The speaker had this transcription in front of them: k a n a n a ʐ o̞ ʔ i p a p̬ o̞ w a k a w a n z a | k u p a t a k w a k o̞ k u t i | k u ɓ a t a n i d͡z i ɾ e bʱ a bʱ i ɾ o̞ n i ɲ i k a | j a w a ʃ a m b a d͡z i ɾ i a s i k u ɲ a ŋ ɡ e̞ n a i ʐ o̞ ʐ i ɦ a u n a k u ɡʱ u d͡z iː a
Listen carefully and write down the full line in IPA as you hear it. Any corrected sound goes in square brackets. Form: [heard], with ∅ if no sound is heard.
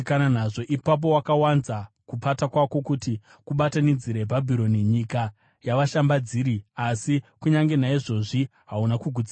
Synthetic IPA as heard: k a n a n a ʐ o̞ ʔ i p a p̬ o̞ w a k a w a n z a | k u p a t a k w a k o̞ k u t i | k u ɓ a t a n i d͡z i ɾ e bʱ a bʱ i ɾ o̞ n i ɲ i k a | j a [ʋ] a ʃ a m b a d͡z i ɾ i a s i k u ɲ a ŋ ɡ e̞ n a i ʐ o̞ ʐ i ɦ a u n a k u ɡʱ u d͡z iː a

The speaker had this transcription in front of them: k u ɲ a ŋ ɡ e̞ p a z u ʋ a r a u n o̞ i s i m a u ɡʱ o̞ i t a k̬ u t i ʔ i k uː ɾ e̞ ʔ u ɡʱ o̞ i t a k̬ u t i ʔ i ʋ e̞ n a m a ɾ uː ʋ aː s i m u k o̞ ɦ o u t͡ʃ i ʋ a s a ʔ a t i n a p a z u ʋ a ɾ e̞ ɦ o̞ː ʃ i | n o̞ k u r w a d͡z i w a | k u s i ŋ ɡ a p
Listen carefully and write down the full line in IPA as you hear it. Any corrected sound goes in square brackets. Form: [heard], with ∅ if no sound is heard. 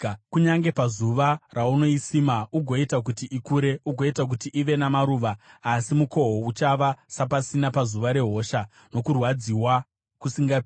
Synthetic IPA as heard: k u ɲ a ŋ ɡ e̞ p a z u ʋ a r a u n o̞ i s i m a u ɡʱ o̞ i t a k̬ u t i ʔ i k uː ɾ e̞ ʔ u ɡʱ o̞ i t a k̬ u t i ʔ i ʋ e̞ n a m a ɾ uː ʋ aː s i m u k o̞ ɦ o u t͡ʃ [a] ʋ a s a [p] a [s] i n a p a z u ʋ a ɾ e̞ ɦ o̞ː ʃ [a] | n o̞ k u r w a d͡z i w a | k u s i ŋ ɡ a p

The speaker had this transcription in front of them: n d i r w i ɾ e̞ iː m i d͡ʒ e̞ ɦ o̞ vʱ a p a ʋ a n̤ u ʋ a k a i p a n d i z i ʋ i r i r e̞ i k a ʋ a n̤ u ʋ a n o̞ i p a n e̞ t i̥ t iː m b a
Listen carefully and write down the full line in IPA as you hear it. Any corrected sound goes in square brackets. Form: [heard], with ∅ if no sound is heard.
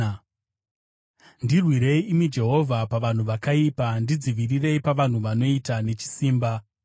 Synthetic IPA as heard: n d i r w i ɾ e̞ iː m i d͡ʒ e̞ ɦ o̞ vʱ a p a ʋ a n̤ u ʋ a k a i p a n d i [d͡z] i ʋ i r i r e̞ i [p] a ʋ a n̤ u ʋ a n o̞ i [t] a n e̞ [t͡ʃ] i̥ [s] iː m b a

